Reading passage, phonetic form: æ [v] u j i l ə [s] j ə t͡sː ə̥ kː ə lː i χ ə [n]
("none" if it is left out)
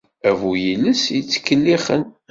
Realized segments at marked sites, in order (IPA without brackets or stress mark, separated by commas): v, s, n